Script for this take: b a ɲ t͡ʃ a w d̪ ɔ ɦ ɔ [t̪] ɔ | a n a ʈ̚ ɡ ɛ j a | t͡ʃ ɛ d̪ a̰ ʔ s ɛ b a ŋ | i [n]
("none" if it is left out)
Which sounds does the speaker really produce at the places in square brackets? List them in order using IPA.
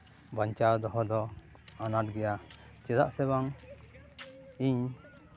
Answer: d̪, ɲ

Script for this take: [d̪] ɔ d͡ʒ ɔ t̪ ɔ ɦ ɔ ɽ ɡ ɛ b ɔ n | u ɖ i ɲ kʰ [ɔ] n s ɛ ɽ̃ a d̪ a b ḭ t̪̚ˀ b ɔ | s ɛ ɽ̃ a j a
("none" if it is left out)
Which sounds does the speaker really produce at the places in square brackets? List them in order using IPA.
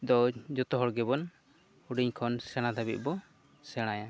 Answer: d̪, ɔ

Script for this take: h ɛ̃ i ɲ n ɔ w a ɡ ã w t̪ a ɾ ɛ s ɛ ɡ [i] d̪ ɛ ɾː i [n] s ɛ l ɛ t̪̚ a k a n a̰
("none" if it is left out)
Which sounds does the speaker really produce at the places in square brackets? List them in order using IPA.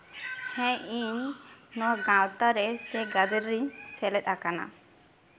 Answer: a, ɲ

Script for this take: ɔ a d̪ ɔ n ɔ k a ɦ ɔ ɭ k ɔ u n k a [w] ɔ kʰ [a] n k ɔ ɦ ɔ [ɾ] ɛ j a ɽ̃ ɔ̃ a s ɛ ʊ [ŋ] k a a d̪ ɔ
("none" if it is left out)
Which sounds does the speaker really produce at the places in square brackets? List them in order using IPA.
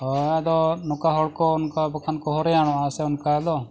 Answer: b, a, ɾ, n

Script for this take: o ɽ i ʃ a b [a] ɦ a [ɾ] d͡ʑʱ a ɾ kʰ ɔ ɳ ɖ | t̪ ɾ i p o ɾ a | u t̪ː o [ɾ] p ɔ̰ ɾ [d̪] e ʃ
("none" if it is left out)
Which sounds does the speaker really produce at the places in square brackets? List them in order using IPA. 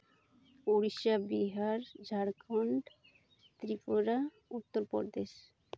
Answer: i, ɾ, ɾ, d̪

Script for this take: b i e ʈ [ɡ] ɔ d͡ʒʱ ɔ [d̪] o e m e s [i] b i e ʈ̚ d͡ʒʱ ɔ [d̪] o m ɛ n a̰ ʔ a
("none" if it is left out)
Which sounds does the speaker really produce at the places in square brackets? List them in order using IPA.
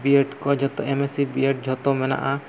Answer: k, t̪, i, t̪

